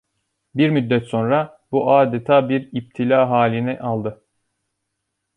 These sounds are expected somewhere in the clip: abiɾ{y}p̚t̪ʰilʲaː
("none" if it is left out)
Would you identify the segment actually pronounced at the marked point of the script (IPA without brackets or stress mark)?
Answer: i